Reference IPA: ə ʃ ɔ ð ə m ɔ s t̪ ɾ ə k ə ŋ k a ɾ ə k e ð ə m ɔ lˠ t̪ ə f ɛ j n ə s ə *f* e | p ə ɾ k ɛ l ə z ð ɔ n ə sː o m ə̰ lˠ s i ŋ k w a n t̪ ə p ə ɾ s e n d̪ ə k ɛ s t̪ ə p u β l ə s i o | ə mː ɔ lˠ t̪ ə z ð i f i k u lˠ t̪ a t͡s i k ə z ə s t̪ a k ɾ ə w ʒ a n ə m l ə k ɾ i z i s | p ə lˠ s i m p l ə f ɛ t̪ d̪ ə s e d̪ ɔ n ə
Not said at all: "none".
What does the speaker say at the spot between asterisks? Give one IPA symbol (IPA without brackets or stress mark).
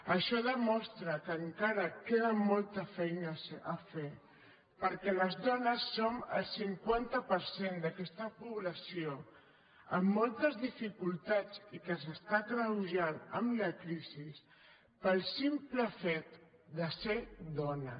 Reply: f